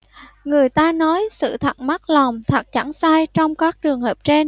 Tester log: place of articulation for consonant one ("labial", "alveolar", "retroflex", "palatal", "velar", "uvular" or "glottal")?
velar